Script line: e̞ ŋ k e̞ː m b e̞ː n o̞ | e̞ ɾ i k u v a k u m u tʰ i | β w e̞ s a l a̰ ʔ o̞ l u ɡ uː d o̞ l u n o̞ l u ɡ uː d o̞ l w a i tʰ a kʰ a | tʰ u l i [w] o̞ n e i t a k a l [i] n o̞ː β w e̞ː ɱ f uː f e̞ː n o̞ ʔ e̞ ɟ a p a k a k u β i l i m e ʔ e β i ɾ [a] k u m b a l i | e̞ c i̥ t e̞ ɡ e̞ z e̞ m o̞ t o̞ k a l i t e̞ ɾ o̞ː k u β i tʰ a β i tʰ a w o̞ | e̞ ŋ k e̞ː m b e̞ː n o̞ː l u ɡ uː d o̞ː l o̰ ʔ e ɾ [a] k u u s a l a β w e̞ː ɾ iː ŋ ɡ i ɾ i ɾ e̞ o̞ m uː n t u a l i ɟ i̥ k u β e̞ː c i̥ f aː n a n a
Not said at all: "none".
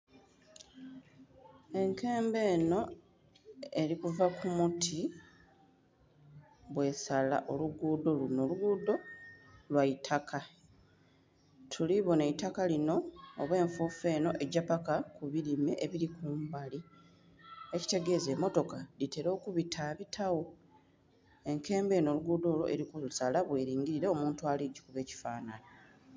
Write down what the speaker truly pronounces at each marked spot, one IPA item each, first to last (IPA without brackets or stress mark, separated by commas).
β, i, i, i